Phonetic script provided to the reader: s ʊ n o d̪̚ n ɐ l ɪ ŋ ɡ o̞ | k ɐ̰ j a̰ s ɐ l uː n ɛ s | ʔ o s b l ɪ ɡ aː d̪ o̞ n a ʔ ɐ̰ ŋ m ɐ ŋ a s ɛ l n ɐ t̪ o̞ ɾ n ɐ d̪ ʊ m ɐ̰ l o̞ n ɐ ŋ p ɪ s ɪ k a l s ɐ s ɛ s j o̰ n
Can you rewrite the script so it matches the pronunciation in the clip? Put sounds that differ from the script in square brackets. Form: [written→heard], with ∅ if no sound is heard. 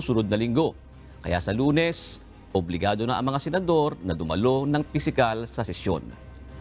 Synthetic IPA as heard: s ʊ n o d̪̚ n ɐ l ɪ ŋ ɡ o̞ | k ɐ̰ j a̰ s ɐ l uː n ɛ s | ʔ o [s→∅] b l ɪ ɡ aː d̪ o̞ n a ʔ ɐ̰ ŋ m ɐ ŋ a s ɛ [l→∅] n ɐ [t̪→d̪] o̞ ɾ n ɐ d̪ ʊ m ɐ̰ l o̞ n ɐ ŋ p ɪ s ɪ k a l s ɐ s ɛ s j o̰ n